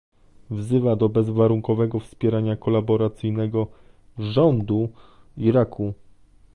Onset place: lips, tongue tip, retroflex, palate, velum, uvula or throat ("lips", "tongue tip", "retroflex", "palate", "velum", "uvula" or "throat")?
lips